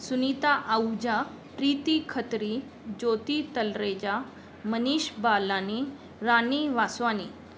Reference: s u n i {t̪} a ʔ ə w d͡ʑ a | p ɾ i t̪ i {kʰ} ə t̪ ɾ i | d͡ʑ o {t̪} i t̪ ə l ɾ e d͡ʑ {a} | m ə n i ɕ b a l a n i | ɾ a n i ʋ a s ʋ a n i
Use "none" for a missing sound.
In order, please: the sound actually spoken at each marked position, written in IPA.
t̪, kʰ, t̪, a

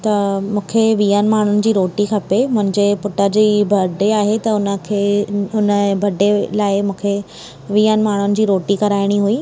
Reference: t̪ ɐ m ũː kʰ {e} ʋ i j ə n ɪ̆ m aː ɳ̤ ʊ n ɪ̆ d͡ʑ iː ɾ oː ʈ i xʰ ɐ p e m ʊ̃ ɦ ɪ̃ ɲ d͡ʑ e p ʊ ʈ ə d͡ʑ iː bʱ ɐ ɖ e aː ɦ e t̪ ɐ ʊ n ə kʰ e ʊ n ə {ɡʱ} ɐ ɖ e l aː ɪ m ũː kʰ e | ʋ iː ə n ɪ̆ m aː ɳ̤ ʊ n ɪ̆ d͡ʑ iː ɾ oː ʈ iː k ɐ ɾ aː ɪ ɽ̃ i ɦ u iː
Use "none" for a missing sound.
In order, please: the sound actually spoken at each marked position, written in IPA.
e, bʱ

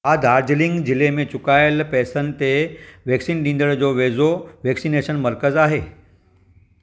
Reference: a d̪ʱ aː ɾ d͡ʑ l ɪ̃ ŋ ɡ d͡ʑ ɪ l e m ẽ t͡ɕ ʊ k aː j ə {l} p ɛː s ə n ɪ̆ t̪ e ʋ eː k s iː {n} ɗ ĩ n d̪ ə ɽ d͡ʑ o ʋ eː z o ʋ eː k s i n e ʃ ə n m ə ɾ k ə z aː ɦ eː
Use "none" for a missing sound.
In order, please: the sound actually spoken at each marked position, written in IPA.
l, n

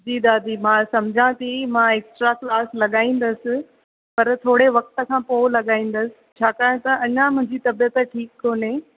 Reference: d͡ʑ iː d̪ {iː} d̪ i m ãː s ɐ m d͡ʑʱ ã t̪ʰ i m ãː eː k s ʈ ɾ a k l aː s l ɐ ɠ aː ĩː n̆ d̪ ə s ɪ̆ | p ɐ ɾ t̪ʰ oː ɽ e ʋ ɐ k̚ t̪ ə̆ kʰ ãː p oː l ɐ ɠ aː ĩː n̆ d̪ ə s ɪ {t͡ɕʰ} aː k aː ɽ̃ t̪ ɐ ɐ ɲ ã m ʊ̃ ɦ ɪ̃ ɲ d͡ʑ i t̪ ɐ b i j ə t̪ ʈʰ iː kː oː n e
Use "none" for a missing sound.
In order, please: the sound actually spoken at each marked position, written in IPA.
aː, t͡ɕʰ

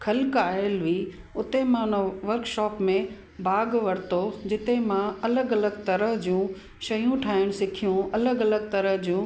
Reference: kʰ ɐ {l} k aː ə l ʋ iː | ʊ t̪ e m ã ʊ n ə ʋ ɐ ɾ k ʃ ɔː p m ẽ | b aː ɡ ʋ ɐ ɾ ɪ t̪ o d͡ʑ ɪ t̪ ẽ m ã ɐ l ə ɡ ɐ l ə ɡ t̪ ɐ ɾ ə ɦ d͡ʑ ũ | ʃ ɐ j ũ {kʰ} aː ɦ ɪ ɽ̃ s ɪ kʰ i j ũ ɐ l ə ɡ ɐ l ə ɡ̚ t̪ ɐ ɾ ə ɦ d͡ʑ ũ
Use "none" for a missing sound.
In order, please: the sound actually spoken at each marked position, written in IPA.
l, ʈʰ

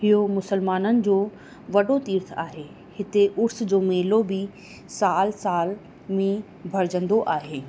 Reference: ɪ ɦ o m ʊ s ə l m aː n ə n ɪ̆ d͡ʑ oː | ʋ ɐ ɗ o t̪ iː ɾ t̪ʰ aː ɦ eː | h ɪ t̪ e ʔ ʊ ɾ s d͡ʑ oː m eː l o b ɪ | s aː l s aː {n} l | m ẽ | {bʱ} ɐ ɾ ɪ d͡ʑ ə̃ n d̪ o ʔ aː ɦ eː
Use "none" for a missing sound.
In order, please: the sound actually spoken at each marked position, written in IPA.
none, bʱ

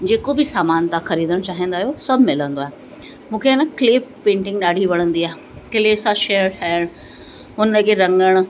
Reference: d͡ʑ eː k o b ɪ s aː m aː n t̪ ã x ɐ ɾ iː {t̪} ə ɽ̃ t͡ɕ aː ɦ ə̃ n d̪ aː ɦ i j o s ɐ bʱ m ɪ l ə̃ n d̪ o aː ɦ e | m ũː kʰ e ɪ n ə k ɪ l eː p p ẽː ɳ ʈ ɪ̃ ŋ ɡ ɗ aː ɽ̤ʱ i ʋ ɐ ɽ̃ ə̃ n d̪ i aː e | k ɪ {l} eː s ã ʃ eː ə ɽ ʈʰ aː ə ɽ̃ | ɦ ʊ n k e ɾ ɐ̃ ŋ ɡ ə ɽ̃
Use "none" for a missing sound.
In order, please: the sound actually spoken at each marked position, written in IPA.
d̪, l

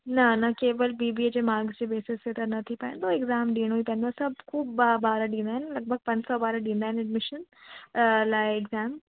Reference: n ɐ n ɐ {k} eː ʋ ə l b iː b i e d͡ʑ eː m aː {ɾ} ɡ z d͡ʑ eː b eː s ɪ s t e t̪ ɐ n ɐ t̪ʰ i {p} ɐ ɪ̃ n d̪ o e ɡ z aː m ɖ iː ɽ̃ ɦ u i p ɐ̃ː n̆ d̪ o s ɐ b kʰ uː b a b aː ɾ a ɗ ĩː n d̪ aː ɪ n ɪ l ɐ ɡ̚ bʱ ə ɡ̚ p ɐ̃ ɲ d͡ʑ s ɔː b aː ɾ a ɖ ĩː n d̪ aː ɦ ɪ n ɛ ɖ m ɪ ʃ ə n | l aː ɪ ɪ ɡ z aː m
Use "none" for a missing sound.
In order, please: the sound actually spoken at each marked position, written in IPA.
k, ɾ, p

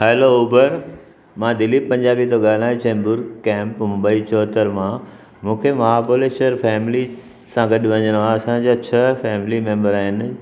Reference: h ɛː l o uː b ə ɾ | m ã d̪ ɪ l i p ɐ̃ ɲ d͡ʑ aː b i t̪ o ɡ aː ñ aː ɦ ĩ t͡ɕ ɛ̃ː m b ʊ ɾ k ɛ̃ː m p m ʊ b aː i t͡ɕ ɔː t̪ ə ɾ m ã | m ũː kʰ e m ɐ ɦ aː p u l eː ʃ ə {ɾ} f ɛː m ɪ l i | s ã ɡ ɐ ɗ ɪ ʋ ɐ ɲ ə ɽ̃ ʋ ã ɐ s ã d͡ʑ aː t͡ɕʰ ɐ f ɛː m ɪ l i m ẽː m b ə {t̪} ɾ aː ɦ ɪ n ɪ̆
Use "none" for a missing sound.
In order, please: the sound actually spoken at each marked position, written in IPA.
ɾ, none

